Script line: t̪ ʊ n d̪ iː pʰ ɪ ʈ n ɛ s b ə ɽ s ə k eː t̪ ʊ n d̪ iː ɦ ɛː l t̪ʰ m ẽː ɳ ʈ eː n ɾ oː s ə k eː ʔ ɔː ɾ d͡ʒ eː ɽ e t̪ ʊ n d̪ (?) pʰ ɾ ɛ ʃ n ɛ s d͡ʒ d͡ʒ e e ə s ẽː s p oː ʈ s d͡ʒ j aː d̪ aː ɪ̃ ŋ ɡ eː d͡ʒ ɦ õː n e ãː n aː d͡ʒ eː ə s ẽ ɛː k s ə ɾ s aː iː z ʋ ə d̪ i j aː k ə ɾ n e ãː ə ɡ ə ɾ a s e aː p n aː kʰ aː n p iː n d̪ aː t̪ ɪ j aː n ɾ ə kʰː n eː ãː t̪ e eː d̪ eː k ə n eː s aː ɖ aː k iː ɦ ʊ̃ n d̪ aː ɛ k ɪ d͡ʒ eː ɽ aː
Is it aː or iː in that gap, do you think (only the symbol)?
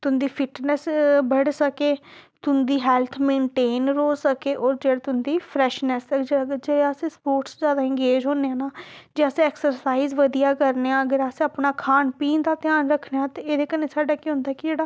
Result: iː